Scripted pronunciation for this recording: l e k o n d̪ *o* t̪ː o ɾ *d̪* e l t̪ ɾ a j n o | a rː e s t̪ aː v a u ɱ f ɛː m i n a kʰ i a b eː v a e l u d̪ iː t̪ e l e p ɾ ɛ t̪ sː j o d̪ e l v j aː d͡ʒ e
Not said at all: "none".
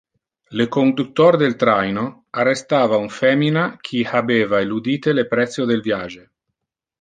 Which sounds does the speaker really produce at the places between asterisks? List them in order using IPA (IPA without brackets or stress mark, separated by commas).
u, d̪